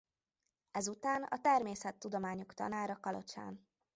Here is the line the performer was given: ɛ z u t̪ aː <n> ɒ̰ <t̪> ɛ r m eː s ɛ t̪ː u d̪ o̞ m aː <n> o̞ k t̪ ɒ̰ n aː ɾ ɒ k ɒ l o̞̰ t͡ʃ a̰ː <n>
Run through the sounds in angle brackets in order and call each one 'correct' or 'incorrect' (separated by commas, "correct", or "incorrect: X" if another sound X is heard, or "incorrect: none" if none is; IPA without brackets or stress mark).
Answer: correct, correct, incorrect: ɲ, correct